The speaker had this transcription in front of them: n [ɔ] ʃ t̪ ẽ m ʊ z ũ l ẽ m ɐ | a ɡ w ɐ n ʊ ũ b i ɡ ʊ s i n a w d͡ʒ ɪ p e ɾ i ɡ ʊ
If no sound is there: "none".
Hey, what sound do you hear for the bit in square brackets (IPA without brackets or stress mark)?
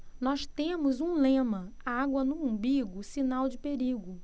ɔ